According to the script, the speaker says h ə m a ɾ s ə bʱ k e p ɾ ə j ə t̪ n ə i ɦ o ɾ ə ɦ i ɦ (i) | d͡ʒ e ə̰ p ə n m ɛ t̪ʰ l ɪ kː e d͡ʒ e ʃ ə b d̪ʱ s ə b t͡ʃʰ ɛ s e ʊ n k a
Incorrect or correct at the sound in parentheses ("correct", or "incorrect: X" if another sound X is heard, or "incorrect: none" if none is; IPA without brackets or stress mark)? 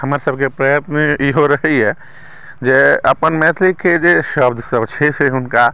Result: incorrect: ɛ